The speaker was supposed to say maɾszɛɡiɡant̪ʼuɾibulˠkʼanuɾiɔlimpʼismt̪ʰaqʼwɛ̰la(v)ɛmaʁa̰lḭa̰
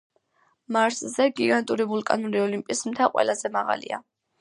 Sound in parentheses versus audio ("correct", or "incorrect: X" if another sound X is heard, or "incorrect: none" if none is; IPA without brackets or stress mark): incorrect: z